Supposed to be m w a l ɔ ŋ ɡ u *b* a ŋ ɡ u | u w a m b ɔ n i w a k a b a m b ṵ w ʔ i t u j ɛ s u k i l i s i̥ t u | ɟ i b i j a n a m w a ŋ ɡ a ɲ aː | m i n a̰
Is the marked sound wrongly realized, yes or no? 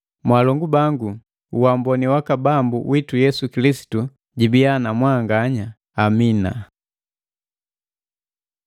no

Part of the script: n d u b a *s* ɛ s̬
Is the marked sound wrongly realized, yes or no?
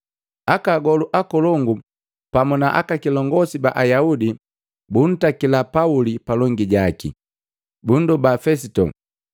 yes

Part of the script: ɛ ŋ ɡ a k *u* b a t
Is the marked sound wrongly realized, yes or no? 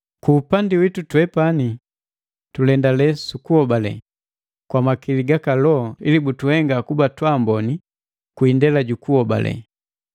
no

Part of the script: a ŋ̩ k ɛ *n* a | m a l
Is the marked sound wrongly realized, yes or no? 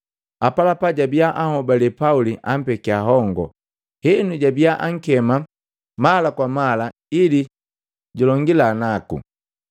yes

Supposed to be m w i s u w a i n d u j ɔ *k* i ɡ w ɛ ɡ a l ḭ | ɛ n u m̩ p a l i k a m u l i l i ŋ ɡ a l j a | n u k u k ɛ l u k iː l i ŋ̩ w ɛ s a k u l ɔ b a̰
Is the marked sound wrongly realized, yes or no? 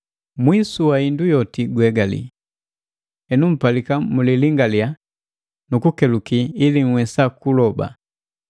yes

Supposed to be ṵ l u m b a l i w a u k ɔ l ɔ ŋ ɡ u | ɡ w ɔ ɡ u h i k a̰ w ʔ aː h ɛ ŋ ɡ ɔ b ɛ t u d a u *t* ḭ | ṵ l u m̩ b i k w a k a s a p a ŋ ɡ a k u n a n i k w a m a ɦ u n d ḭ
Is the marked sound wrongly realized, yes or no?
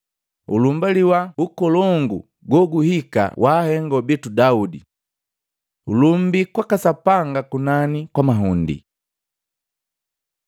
yes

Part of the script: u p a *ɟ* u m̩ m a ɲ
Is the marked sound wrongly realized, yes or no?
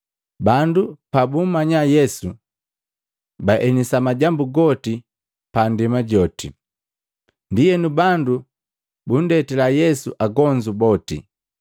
yes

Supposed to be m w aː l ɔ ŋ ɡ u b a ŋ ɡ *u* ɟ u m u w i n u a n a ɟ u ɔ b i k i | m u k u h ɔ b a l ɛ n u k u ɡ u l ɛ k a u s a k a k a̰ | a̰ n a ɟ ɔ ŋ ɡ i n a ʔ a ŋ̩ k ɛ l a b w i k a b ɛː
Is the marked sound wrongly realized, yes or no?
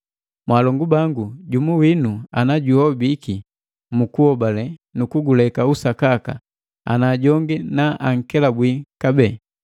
no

